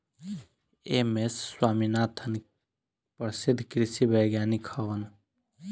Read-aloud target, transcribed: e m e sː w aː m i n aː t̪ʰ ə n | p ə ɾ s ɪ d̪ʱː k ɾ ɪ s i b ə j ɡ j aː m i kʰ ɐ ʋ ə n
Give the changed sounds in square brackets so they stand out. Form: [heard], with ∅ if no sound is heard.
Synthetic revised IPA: e m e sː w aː m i n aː t̪ʰ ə n | p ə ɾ s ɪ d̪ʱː k ɾ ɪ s i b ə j ɡ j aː [n] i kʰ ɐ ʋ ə n